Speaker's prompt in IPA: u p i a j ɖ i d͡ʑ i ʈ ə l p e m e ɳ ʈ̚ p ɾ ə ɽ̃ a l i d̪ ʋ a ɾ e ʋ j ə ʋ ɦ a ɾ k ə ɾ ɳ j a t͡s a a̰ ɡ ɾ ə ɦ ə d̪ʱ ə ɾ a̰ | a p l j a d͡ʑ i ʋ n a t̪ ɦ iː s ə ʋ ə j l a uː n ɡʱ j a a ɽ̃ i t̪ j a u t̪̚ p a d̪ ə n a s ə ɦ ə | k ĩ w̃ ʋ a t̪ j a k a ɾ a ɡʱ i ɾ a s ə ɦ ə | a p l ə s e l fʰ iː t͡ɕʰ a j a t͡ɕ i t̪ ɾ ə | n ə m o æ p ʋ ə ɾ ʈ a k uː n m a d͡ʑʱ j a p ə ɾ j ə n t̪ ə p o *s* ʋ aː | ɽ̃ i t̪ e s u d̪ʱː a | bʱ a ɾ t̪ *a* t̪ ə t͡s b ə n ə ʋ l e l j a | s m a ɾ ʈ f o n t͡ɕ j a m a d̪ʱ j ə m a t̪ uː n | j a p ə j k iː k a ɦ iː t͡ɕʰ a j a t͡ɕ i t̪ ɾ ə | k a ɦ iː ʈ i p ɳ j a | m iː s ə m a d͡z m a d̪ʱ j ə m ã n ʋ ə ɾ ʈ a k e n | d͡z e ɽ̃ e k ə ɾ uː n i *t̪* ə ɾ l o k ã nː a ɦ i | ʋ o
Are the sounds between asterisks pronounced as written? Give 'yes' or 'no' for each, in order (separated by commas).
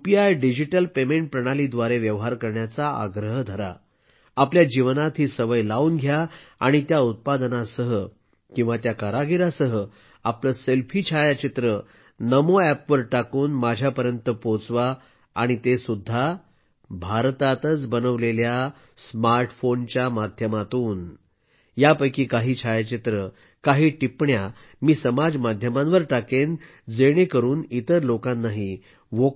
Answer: no, yes, yes